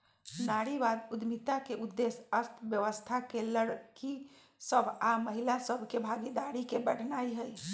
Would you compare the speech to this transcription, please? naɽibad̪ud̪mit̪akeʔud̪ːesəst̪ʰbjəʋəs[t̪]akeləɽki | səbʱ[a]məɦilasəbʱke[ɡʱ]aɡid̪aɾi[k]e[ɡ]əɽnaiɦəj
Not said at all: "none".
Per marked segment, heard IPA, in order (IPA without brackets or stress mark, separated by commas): t̪ʰ, a, bʱ, k, b